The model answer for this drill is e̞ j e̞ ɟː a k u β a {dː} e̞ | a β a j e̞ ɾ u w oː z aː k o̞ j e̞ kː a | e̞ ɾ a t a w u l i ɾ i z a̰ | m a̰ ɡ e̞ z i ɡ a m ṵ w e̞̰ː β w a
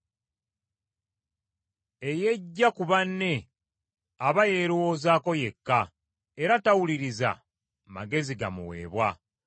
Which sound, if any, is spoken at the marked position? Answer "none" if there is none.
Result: nː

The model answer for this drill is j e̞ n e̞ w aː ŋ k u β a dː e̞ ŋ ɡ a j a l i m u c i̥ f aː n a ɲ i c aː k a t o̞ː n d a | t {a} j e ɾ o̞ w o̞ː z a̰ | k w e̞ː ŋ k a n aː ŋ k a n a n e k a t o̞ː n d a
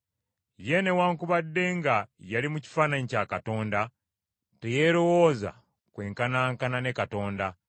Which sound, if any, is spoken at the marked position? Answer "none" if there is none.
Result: e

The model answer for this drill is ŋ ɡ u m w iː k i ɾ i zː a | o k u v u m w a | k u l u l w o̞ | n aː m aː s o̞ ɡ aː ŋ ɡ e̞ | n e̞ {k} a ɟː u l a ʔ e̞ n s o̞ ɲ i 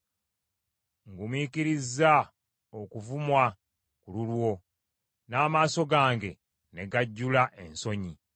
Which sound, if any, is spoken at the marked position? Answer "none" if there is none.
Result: ɡ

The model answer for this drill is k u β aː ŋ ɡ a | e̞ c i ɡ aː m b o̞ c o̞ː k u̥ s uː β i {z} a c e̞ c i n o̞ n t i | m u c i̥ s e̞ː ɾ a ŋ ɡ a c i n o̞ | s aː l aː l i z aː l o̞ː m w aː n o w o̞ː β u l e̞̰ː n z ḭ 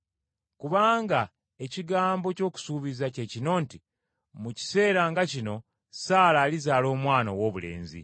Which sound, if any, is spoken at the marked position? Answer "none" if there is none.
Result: z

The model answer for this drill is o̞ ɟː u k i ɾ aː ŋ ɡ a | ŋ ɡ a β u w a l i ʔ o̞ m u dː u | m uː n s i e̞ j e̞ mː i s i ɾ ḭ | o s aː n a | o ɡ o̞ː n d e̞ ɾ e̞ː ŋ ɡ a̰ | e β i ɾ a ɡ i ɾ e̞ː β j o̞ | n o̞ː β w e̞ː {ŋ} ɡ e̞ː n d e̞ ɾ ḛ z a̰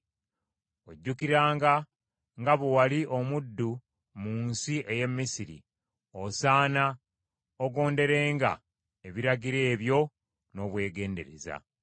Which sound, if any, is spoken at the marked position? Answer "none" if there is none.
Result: none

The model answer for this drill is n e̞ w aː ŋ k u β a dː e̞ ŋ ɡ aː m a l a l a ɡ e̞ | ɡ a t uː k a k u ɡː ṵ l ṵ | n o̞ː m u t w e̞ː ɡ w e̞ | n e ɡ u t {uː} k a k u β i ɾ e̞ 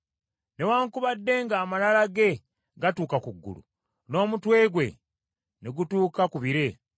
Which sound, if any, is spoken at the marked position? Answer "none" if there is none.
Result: uː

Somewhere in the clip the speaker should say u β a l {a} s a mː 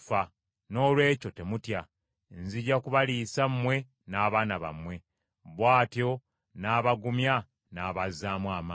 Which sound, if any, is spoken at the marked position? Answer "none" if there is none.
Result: i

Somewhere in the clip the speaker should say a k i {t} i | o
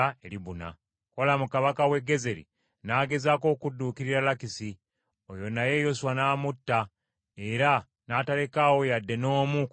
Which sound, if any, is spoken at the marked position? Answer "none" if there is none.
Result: s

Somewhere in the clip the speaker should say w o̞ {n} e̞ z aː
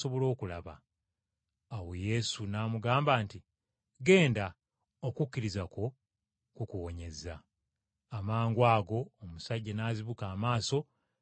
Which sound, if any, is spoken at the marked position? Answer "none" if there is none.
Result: ɲ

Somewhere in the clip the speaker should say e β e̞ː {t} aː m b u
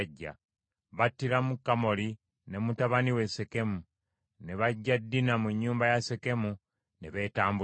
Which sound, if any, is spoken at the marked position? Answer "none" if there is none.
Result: t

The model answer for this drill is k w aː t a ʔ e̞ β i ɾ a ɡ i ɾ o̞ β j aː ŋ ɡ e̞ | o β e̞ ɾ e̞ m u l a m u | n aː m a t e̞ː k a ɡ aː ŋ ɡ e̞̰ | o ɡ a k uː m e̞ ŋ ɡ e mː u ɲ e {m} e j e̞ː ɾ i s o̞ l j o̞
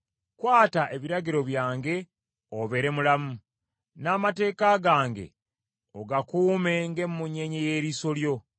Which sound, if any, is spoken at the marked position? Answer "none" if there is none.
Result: ɲ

